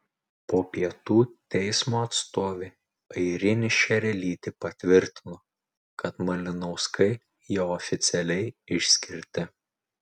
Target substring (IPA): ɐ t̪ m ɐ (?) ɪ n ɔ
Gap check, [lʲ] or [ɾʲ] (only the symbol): lʲ